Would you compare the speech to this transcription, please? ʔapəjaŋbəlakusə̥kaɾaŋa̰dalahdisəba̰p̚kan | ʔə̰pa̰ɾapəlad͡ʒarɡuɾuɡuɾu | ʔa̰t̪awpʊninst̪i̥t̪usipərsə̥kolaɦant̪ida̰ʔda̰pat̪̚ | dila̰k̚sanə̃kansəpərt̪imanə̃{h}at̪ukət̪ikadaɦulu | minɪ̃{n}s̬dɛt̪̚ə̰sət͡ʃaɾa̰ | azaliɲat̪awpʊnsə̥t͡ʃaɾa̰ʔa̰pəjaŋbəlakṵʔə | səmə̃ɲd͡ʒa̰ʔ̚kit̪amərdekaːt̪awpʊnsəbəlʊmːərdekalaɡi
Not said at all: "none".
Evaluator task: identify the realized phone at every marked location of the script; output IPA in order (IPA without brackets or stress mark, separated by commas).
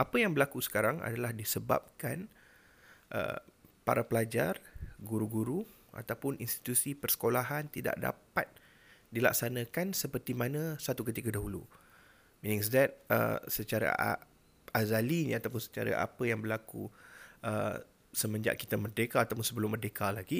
s, ŋ